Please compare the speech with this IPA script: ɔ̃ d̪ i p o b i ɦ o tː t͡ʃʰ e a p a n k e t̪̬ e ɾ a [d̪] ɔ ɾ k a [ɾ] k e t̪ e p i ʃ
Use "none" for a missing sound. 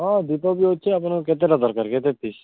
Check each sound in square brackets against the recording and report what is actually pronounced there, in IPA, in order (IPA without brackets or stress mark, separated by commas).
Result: d̪, ɾ